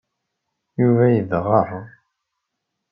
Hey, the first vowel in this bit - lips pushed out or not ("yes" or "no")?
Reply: yes